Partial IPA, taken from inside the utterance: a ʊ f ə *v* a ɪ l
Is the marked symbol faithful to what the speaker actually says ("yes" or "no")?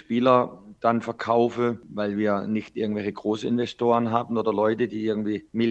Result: yes